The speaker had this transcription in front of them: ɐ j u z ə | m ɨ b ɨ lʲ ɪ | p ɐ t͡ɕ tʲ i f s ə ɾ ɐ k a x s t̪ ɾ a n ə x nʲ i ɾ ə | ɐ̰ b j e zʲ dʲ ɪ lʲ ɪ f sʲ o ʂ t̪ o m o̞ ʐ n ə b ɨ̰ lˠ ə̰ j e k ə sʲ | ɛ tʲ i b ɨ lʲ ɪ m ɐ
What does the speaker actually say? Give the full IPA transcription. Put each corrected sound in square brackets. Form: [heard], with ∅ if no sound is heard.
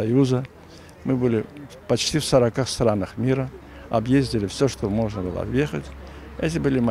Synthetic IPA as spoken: ɐ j u z ə | m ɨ b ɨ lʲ ɪ | p ɐ t͡ɕ tʲ i f s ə ɾ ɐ k a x s t̪ ɾ a n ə x [mʲ] i ɾ ə | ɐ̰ b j e zʲ dʲ ɪ lʲ ɪ f sʲ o ʂ t̪ o m o̞ ʐ n ə b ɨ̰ lˠ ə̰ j e [x] ə [tʲ] | ɛ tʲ [ɪ] b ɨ lʲ ɪ m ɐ

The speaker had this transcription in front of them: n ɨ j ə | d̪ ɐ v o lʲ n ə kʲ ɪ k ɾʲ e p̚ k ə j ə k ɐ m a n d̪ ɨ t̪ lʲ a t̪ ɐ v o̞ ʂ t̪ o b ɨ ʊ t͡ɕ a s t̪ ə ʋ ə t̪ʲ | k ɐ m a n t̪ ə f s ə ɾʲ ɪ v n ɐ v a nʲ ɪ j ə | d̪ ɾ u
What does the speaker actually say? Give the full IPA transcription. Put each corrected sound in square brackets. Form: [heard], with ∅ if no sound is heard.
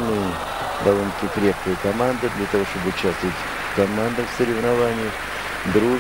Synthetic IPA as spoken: n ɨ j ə | d̪ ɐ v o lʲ n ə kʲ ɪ k ɾʲ e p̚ k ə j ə k ɐ m a n d̪ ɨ [d̪] lʲ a t̪ ɐ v o̞ ʂ t̪ o b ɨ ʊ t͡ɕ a s t̪ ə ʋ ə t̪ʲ | k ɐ m a n [d̪] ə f s ə ɾʲ ɪ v n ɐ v a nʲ ɪ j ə | d̪ ɾ u

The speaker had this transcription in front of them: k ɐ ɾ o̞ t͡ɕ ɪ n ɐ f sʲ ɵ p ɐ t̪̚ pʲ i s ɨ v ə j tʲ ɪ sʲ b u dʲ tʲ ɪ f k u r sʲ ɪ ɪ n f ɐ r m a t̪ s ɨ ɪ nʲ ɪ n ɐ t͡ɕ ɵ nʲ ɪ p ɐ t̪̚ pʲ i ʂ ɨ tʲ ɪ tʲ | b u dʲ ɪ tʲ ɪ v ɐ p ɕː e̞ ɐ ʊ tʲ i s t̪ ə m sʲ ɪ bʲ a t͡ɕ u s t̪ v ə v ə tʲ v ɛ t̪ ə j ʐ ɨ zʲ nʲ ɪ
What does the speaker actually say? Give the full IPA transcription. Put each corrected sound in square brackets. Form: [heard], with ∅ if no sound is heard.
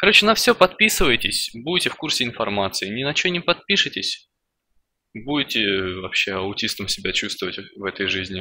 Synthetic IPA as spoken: k ɐ ɾ o̞ t͡ɕ ɪ n ɐ f sʲ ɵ p ɐ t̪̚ pʲ i s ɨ v ə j tʲ ɪ sʲ b u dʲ tʲ ɪ f k u r sʲ ɪ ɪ n f ɐ r m a t̪ s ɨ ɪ nʲ ɪ n ɐ t͡ɕ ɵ nʲ ɪ p ɐ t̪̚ pʲ i ʂ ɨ tʲ ɪ [sʲ] | b u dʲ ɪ tʲ ɪ v ɐ p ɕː e̞ ɐ ʊ tʲ i s t̪ ə m sʲ ɪ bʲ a t͡ɕ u s t̪ v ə v ə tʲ v ɛ t̪ ə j ʐ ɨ zʲ nʲ ɪ

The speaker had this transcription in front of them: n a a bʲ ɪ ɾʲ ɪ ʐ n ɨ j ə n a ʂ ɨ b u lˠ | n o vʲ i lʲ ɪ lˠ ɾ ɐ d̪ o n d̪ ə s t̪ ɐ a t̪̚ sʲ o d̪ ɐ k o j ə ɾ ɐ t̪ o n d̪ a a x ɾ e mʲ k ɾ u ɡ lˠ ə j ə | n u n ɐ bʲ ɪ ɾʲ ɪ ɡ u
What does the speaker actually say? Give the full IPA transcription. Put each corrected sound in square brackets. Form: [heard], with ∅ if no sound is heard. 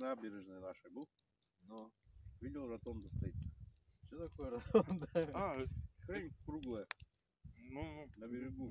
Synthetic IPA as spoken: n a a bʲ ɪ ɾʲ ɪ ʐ n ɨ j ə n a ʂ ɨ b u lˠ | n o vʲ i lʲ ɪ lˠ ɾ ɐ [t̪] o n d̪ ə s t̪ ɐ [i] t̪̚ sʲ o [t̪] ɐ k o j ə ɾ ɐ t̪ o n d̪ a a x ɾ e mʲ k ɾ u ɡ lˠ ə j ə | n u n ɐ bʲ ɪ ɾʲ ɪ ɡ u

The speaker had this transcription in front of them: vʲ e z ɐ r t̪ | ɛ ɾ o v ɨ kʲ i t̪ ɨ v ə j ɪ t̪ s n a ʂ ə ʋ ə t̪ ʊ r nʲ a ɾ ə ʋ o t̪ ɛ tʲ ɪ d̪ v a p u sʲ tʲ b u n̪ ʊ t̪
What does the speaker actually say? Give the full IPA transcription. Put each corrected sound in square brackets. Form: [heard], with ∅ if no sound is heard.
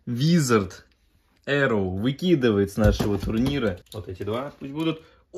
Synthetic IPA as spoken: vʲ [i] z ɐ r t̪ | ɛ ɾ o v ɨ kʲ i [d̪] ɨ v ə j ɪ t̪ s n a ʂ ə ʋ ə t̪ ʊ r nʲ [i] ɾ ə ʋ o t̪ ɛ tʲ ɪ d̪ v a p u sʲ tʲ b u [d̪] ʊ t̪

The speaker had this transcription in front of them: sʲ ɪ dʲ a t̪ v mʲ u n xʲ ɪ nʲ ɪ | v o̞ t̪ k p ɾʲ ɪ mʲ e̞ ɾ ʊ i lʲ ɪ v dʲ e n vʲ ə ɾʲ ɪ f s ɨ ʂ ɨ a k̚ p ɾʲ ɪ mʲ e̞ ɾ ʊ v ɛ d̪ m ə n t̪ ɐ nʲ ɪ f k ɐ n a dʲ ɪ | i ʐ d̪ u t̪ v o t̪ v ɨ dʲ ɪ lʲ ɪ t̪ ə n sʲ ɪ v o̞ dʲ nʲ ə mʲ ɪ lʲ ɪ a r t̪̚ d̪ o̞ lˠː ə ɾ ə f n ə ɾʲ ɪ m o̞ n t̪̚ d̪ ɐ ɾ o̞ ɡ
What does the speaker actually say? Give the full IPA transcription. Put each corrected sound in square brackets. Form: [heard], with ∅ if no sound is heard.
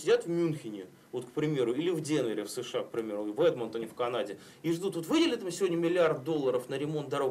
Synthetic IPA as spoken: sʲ ɪ dʲ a t̪ v mʲ u n xʲ ɪ nʲ ɪ | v o̞ t̪ k p ɾʲ ɪ mʲ e̞ ɾ ʊ i lʲ ɪ v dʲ e n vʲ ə ɾʲ ɪ f s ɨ ʂ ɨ a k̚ p ɾʲ ɪ mʲ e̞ ɾ ʊ v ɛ d̪ m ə n t̪ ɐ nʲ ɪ f k ɐ n a dʲ ɪ | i ʐ d̪ u t̪ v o t̪ v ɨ dʲ ɪ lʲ ɪ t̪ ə [m] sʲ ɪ v o̞ dʲ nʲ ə mʲ ɪ lʲ ɪ a r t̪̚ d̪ o̞ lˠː ə ɾ ə f n ə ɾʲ ɪ m o̞ n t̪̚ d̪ ɐ ɾ o̞ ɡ

